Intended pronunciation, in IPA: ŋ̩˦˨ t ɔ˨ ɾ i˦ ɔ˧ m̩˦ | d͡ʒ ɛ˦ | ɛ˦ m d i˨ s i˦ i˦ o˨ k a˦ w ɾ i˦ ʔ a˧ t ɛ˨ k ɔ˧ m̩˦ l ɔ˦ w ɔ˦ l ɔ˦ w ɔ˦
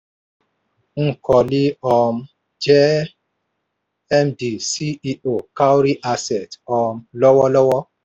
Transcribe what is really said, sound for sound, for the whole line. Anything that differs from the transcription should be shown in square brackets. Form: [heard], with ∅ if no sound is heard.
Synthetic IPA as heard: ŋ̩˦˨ [k] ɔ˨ [l] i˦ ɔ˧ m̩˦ | d͡ʒ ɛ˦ | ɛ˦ m d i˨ s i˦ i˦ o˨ k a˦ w ɾ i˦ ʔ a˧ [s] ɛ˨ [t] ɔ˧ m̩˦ l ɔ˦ w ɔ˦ l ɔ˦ w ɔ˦